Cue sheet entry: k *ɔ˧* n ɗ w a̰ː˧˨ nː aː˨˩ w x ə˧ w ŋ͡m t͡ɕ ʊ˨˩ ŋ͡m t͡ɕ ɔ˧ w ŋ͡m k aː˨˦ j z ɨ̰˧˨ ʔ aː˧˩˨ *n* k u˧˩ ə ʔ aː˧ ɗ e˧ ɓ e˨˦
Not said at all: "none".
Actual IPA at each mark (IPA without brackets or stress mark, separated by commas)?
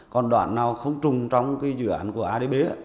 ɔ˨˩, n